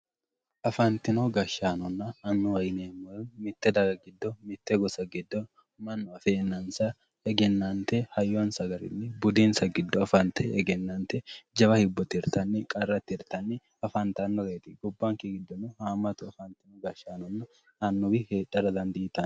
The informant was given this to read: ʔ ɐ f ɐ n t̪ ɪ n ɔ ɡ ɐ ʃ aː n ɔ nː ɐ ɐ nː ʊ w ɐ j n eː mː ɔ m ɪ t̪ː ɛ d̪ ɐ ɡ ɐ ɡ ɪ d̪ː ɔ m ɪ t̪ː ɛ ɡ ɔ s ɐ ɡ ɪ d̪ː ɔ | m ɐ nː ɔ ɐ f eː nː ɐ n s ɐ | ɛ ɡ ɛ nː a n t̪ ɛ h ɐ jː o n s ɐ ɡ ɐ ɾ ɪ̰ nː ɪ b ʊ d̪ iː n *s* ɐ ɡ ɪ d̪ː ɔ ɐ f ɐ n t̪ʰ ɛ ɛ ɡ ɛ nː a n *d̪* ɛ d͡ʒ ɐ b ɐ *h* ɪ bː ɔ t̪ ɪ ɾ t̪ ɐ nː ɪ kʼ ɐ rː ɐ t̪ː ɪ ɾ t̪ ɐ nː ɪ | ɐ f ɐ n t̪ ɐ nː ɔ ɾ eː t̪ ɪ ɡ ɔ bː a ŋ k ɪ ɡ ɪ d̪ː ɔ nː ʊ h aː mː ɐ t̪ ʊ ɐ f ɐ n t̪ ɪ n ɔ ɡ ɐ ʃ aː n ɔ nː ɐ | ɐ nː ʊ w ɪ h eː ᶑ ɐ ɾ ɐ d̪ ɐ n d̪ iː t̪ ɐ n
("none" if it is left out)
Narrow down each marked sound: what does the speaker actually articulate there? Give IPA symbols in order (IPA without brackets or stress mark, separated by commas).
s, t̪, h